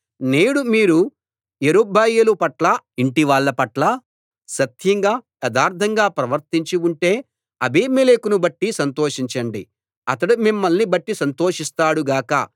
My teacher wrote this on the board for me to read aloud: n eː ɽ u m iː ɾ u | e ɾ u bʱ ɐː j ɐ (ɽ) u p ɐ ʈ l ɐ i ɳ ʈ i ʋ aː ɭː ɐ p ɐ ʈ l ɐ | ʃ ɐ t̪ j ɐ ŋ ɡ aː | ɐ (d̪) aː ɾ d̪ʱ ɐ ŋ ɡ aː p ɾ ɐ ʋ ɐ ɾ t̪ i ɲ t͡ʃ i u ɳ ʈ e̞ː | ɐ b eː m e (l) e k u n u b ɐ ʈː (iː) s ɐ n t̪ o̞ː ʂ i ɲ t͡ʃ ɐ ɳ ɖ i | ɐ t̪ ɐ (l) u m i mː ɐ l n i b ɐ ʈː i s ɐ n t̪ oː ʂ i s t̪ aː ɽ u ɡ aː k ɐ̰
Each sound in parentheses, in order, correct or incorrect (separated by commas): incorrect, correct, correct, incorrect, incorrect